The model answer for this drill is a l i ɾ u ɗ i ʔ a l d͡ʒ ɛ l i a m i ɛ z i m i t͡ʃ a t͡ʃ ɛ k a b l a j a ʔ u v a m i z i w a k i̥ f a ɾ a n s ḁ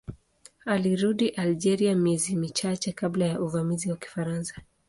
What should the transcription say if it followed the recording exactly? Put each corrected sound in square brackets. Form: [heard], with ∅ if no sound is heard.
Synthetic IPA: a l i ɾ u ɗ i ʔ a l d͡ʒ ɛ [ɾ] i a m i ɛ z i m i t͡ʃ a t͡ʃ ɛ k a b l a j a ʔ u v a m i z i w a k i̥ f a ɾ a n s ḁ